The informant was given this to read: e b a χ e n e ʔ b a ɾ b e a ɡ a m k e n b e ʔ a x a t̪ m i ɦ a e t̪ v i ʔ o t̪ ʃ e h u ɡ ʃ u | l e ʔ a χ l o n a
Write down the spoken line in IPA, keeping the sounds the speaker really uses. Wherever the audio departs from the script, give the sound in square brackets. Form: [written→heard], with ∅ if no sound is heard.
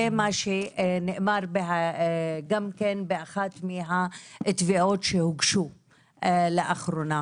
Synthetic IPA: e [b→m] a [χ→ʃ] e n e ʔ [b→m] a ɾ b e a ɡ a m k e n b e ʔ a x a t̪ m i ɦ a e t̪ v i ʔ o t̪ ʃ e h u ɡ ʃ u | l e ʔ a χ [l→ɾ] o n a

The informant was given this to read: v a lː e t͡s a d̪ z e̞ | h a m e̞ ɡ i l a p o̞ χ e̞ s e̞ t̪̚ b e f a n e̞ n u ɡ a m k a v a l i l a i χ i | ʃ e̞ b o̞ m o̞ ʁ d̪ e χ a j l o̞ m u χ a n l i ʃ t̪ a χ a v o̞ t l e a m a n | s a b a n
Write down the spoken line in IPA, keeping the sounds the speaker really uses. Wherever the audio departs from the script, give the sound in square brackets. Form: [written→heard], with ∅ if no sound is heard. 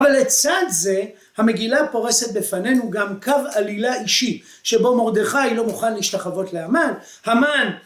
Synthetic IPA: v a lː e t͡s a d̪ z e̞ | h a m e̞ ɡ i l a p o̞ [χ→ʁ] e̞ s e̞ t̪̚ b e f a n e̞ n u ɡ a m k a v a l i l a i [χ→ʃ] i | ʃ e̞ b o̞ m o̞ ʁ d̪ e χ a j l o̞ m u χ a n l i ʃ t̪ a χ a v o̞ t l e a m a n | [s→h] a [b→m] a n

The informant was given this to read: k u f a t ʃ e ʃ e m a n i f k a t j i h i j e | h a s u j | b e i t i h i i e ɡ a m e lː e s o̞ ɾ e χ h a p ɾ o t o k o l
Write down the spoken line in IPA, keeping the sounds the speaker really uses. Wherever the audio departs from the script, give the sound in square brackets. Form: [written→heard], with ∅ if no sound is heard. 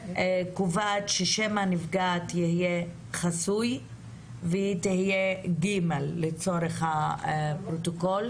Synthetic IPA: k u [f→v] a t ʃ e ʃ e m a n i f [k→ɡ] a t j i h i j e | [h→χ] a s u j | [b→v] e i t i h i [i→j] e ɡ [a→i] m e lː e [s→t͡s] o̞ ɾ e χ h a p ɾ o t o k o l

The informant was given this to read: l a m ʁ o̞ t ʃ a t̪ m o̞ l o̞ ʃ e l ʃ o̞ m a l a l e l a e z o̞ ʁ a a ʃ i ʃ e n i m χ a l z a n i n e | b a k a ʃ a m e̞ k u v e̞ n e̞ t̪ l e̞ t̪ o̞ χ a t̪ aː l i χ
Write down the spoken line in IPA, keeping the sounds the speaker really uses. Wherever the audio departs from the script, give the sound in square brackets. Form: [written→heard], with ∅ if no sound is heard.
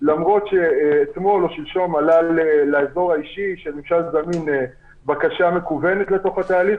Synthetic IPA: l a m ʁ o̞ t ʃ [a→e] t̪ m o̞ l o̞ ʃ [e→i] l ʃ o̞ m a l a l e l a e z o̞ ʁ a [a→i] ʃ i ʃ e n i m [χ→ʃ] a l z a [n→m] i n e | b a k a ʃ a m e̞ k u v e̞ n e̞ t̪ l e̞ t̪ o̞ χ a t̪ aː l i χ

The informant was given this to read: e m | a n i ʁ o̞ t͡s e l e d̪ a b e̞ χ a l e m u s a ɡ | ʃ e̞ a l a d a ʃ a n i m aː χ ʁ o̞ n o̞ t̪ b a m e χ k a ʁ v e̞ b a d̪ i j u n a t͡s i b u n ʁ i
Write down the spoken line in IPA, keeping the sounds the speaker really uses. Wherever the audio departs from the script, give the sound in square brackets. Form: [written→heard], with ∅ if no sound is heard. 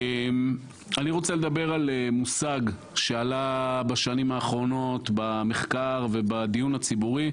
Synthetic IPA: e m | a n i ʁ o̞ t͡s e l e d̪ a b e̞ [χ→ʁ] a l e m u s a ɡ | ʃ e̞ a l a [d→b] a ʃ a n i m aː χ ʁ o̞ n o̞ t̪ b a m e χ k a ʁ v e̞ b a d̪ i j u n a t͡s i b u [n→∅] ʁ i

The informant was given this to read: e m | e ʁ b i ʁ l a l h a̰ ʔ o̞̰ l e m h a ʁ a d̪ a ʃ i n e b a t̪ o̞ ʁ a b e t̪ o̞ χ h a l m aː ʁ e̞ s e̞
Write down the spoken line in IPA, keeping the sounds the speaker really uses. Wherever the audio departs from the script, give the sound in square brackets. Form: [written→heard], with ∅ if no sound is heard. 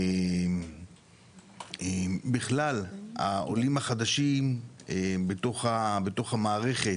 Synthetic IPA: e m | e [ʁ→∅] b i [ʁ→χ] l a l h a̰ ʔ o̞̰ l [e→i] m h a [ʁ→χ] a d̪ a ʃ i [n→m] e b [a→e] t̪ o̞ [ʁ→χ] a b e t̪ o̞ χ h a [l→∅] m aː ʁ e̞ [s→χ] e̞

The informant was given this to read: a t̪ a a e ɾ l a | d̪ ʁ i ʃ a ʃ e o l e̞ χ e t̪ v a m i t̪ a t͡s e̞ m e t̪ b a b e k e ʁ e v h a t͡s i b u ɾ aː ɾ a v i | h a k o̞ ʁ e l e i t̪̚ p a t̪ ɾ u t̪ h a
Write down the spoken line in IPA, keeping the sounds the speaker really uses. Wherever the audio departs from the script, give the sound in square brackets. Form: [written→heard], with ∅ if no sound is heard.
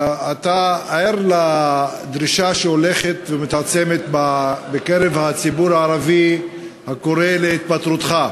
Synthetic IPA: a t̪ a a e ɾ l a | d̪ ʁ i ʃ a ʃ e o l e̞ χ e t̪ v [a→e] m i t̪ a t͡s e̞ m e t̪ b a b e k e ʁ e v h a t͡s i b u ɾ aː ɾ a v i | h a k o̞ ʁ e l e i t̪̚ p a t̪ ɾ u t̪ [h→χ] a

